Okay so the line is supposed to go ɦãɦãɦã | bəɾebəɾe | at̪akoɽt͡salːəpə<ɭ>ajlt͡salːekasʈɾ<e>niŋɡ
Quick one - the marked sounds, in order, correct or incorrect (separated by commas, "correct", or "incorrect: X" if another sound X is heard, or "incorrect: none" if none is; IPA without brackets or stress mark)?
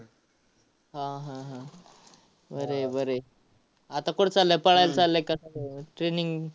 correct, correct